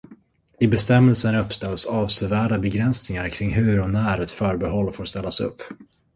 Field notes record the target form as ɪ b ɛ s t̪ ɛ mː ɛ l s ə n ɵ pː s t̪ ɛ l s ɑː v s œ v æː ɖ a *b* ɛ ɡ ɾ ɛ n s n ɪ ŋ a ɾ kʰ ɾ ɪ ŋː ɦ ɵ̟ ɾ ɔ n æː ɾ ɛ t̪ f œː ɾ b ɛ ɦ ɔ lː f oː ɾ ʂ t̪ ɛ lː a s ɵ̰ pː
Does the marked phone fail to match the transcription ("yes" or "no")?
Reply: no